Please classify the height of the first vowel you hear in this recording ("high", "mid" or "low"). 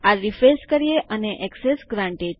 low